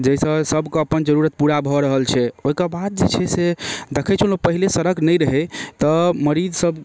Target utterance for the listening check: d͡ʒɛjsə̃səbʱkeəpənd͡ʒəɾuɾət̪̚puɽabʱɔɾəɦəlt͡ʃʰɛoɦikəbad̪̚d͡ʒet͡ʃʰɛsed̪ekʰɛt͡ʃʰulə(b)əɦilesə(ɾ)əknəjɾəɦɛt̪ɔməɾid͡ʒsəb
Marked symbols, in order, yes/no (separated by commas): no, yes